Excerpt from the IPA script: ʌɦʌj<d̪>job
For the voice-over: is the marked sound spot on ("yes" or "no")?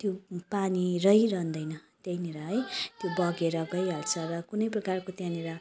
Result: no